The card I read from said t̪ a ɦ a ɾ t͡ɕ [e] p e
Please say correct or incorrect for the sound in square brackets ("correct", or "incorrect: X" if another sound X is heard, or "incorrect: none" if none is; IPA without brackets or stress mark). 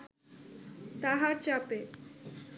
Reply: incorrect: a